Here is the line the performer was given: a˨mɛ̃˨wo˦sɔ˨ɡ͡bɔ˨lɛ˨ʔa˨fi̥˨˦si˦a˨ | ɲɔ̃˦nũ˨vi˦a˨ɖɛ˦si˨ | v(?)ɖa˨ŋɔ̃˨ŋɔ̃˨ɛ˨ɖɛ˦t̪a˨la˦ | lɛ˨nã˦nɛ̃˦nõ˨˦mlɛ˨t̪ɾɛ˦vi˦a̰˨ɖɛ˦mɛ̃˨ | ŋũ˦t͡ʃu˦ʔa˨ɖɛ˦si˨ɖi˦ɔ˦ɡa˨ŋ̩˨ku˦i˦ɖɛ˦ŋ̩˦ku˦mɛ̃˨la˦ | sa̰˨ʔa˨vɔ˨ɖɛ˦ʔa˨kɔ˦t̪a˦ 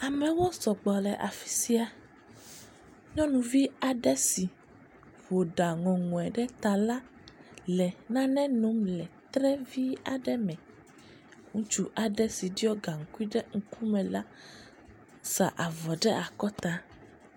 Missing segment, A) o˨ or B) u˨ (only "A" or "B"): A